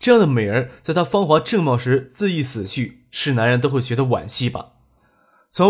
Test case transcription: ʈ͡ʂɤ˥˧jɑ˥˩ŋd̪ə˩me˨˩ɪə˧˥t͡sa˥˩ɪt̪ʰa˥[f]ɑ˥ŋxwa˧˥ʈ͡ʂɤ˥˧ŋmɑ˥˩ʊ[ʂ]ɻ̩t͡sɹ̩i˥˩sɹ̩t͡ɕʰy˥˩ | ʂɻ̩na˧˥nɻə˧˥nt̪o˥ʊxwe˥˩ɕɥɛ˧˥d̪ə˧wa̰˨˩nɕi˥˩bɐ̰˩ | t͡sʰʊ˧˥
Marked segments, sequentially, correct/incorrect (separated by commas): correct, correct